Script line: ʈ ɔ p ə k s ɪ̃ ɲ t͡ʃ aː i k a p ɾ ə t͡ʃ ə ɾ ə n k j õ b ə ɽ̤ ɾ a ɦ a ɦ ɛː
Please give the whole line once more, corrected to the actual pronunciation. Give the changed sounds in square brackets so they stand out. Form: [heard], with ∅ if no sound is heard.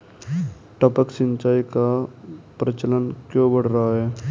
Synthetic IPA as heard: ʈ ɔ p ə k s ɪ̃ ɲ t͡ʃ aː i k a p ɾ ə t͡ʃ ə [l] ə n k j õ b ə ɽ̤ ɾ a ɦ a ɦ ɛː